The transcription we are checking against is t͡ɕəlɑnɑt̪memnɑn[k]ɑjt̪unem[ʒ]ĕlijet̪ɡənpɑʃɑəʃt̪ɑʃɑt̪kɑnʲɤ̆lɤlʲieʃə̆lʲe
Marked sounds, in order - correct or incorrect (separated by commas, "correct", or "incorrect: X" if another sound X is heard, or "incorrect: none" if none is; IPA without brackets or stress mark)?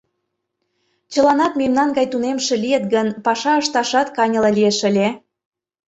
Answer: incorrect: ɡ, incorrect: ʃ